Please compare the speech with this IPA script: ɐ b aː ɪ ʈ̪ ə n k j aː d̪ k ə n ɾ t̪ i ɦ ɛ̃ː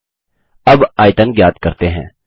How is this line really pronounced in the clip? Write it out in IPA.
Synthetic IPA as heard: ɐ b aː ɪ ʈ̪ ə n ɡ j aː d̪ k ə ɾ t̪ e ɦ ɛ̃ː